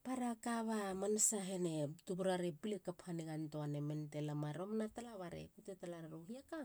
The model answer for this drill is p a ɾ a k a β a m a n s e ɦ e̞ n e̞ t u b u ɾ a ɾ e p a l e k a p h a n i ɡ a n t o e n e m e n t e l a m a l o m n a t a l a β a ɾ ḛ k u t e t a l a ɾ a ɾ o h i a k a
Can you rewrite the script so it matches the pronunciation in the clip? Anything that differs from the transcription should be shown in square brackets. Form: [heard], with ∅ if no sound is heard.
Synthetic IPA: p a ɾ a k a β a m a n s [a] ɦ e̞ n e̞ t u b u ɾ a ɾ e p [i] l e k a p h a n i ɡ a n t o [a] n e m e n t e l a m a [ɾ] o m n a t a l a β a ɾ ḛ k u t e t a l a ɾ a ɾ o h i a k a

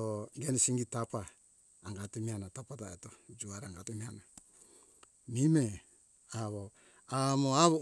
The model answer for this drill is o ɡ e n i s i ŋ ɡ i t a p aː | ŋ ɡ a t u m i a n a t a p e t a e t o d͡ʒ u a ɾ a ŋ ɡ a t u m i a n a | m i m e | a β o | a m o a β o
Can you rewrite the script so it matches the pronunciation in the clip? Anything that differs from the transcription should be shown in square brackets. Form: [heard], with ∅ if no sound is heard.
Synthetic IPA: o ɡ e n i s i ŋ ɡ i t a p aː | ŋ ɡ a t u m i a n a t a p [a] t a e t o d͡ʒ u a ɾ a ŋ ɡ a t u m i a n a | m i m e | a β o | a m o a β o

